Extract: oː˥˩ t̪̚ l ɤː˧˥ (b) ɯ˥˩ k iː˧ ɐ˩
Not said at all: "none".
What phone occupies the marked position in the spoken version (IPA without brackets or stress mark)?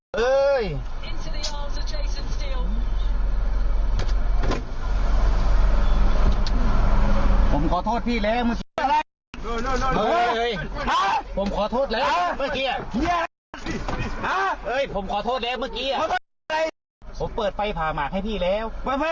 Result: m